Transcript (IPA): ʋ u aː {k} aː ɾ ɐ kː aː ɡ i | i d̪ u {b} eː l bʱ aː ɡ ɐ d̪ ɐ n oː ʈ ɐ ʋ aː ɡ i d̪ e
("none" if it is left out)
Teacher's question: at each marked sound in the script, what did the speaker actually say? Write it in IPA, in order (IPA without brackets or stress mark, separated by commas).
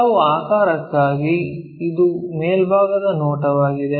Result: k, m